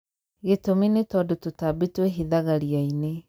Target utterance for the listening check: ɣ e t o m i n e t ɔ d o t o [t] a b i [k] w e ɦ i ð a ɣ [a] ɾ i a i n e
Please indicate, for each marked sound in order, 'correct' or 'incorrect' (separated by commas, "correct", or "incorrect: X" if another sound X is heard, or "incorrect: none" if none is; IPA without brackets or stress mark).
correct, incorrect: t, correct